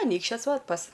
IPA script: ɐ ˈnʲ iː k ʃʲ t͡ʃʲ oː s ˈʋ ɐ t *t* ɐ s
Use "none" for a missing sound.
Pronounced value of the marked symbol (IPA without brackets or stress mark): p